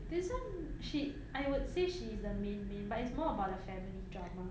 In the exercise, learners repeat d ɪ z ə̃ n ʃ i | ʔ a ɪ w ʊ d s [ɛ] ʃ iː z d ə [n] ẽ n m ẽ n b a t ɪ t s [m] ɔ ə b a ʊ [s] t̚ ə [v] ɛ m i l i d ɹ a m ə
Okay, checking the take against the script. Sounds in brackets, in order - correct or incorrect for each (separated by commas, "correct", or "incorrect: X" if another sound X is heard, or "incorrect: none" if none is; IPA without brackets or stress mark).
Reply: incorrect: e, incorrect: m, correct, incorrect: none, incorrect: f